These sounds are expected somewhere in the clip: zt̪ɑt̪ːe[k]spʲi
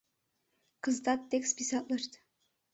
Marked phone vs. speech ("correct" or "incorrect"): correct